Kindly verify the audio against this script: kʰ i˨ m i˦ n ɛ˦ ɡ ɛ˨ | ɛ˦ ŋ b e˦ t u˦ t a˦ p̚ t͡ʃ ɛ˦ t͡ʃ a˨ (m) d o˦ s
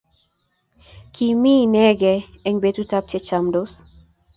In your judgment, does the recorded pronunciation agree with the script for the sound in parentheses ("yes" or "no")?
yes